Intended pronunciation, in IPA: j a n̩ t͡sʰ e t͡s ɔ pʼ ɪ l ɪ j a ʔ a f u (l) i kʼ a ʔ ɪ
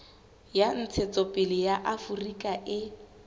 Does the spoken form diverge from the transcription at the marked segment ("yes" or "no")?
yes